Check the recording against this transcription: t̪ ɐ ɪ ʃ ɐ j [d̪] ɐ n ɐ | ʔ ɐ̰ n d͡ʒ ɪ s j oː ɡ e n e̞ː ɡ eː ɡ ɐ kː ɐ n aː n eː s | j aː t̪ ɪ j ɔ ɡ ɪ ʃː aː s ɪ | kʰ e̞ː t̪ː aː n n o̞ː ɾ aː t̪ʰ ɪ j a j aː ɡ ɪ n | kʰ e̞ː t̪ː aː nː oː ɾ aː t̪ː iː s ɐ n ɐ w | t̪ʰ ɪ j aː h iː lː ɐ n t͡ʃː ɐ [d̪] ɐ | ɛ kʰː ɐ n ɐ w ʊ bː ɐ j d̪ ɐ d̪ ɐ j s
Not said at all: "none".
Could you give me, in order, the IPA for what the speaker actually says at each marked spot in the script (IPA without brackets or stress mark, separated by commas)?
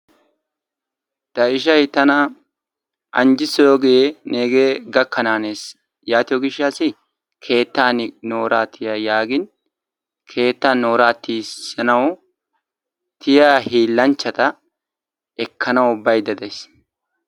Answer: t̪, t̪